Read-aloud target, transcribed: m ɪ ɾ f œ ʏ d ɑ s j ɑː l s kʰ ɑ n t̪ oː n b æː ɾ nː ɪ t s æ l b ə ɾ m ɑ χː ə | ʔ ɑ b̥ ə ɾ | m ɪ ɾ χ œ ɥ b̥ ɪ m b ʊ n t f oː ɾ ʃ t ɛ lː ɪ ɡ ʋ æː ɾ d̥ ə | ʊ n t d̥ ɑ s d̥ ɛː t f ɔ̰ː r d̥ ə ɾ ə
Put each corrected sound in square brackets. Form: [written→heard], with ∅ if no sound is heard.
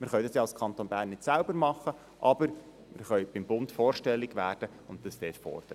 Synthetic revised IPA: m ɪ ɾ [f→χ] œ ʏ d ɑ s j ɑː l s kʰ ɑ n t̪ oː n b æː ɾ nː ɪ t s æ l b ə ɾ m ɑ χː ə | ʔ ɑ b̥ ə ɾ | m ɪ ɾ χ œ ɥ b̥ ɪ m b ʊ n t f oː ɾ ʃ t ɛ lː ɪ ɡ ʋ æː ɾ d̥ ə | ʊ n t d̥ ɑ s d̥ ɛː t f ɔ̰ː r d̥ ə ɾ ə